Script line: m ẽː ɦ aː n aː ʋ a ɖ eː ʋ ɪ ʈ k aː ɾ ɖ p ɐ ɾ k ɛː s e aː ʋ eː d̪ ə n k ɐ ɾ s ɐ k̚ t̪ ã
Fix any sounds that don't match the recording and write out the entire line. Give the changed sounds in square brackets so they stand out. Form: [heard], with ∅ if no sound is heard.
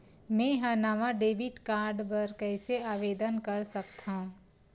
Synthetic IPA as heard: m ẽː ɦ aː n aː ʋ a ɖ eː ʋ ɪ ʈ k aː ɾ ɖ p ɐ ɾ k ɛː s e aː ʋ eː d̪ ə n k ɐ ɾ s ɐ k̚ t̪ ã